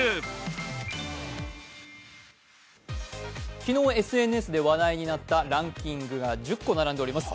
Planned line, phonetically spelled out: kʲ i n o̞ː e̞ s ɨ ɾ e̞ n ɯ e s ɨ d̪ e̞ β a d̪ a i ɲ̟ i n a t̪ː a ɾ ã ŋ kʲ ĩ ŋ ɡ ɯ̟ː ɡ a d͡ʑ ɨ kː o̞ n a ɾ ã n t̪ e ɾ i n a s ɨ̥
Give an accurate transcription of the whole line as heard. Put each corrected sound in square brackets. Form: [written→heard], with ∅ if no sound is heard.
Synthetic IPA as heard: kʲ i n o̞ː e̞ s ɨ [ɾ→∅] e̞ n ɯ e s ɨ d̪ e̞ β a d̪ a i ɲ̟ i n a t̪ː a ɾ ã ŋ kʲ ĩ ŋ ɡ [ɯ̟ː→ɯ̟] ɡ a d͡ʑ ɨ kː o̞ n a ɾ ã n [t̪→d̪] e ɾ i [n→m] a s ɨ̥

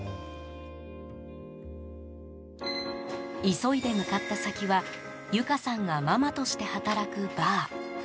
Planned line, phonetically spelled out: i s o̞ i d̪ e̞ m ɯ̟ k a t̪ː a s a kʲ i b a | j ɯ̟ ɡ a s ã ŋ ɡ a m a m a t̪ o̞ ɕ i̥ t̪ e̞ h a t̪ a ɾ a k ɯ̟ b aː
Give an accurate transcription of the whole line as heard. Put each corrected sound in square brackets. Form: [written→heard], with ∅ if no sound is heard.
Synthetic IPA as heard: i s o̞ i d̪ e̞ m ɯ̟ k a t̪ː a s a kʲ i [b→β] a | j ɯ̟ [ɡ→k] a s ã ŋ ɡ a m a m a t̪ o̞ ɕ i̥ t̪ e̞ h a t̪ a ɾ a k ɯ̟ b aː

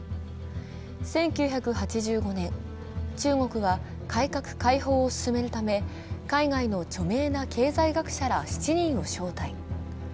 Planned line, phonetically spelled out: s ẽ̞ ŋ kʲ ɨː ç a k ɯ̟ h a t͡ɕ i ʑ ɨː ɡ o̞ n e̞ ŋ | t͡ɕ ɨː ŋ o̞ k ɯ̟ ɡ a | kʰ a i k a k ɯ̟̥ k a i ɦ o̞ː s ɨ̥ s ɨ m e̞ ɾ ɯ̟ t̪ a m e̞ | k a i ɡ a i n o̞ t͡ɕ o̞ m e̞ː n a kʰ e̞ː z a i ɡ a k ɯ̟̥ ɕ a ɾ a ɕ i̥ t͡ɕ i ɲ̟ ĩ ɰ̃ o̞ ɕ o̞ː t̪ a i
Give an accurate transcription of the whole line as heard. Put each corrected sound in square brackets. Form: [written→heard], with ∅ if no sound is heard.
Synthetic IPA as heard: s ẽ̞ ŋ kʲ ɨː ç a k ɯ̟ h a t͡ɕ i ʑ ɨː ɡ o̞ n [e̞→ẽ̞] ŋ | t͡ɕ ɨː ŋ o̞ k ɯ̟ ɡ a | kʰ a i k a k ɯ̟̥ k a i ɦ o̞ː s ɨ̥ s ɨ m e̞ ɾ ɯ̟ t̪ a m e̞ | k a i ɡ a i n o̞ t͡ɕ o̞ m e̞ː n a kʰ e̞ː z a i ɡ a k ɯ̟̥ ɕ a ɾ a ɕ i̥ t͡ɕ i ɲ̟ ĩ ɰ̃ o̞ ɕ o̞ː t̪ a i

